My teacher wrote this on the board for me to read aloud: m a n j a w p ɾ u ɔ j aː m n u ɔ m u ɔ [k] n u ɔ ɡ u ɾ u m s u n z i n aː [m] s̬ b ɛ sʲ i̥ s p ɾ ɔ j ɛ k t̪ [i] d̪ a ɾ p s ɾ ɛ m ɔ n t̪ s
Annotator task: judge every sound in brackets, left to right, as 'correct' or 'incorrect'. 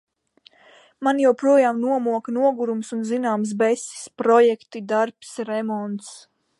correct, correct, correct

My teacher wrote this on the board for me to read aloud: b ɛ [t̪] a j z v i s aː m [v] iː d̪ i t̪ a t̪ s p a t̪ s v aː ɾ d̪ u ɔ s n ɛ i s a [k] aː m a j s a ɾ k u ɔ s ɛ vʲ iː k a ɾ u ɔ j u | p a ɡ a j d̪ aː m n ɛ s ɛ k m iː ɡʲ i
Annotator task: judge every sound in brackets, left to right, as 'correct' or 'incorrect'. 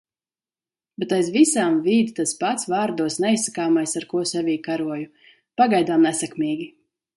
correct, correct, correct

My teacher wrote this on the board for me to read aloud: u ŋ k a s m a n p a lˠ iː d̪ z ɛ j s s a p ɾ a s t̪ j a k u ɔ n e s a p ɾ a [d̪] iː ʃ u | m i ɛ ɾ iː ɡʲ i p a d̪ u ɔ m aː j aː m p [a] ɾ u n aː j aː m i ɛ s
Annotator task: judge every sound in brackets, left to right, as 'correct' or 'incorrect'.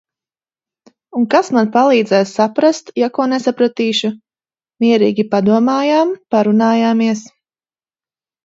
incorrect: t̪, correct

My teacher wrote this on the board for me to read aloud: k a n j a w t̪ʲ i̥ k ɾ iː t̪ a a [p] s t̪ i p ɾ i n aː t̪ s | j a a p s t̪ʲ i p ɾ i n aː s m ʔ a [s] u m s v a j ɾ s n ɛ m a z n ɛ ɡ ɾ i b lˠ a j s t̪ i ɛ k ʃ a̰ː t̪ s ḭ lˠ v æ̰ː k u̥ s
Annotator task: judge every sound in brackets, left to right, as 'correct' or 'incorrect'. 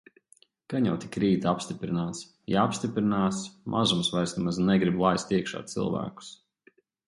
correct, incorrect: z

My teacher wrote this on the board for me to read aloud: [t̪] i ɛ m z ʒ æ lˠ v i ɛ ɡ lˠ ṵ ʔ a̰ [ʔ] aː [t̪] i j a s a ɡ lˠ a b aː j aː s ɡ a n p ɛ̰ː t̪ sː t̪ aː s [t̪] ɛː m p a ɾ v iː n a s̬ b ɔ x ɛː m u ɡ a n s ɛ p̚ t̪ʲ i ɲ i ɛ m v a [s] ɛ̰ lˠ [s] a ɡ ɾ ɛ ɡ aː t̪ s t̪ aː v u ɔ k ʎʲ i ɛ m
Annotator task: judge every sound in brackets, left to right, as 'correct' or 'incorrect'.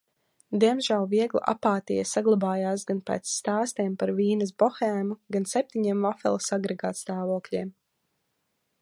incorrect: d̪, incorrect: p, correct, correct, incorrect: f, correct

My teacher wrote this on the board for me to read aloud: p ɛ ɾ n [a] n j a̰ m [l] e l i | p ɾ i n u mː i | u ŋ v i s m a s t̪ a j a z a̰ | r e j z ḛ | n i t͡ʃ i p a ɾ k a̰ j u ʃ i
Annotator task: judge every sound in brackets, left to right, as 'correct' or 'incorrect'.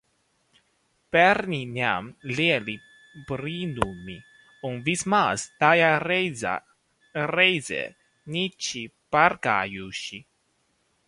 incorrect: i, correct

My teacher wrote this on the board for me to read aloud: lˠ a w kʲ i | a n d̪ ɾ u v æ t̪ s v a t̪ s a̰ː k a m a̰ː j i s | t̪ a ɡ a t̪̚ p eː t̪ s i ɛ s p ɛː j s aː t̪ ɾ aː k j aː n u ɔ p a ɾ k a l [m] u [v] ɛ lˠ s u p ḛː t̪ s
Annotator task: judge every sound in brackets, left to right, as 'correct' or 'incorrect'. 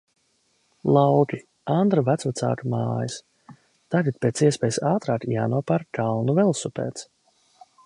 incorrect: n, correct

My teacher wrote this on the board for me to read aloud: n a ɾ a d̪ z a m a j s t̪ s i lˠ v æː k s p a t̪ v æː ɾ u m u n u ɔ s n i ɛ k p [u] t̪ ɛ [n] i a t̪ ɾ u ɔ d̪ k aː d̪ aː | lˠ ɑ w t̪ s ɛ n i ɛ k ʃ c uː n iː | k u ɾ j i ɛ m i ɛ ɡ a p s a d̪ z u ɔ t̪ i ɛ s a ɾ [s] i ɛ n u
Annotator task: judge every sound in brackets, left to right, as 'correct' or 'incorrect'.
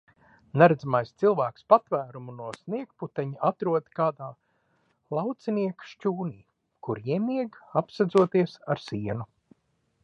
correct, incorrect: ɲ, correct

